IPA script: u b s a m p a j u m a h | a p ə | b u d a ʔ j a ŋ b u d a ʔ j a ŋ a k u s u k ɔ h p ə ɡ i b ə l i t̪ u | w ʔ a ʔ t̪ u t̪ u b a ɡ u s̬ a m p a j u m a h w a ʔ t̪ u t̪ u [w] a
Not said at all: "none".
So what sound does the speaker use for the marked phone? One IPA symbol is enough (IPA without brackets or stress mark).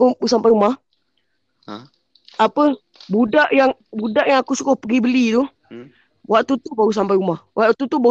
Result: b